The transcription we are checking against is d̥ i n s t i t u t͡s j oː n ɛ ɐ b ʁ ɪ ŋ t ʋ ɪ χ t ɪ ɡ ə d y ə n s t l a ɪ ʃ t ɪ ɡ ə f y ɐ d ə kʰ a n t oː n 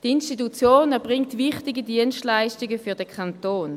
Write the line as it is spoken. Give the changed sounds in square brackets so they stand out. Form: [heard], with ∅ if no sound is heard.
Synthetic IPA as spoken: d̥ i n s t i t u t͡s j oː n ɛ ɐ b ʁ ɪ ŋ t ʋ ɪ χ t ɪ ɡ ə d [i] ə n s t l a ɪ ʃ t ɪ ɡ ə f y ɐ d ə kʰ a n t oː n